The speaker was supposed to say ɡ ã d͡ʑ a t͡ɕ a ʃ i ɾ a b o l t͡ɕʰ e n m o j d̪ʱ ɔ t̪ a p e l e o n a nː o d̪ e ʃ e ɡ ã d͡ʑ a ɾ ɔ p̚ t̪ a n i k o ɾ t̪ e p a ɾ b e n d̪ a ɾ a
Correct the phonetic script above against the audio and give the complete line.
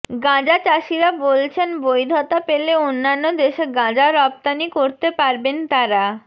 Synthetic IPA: ɡ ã d͡ʑ a t͡ɕ a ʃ i ɾ a b o l t͡ɕʰ e n b o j d̪ʱ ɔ t̪ a p e l e o nː a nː o d̪ e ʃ e ɡ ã d͡ʑ a ɾ ɔ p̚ t̪ a n i k o ɾ t̪ e p a ɾ b e n t̪ a ɾ a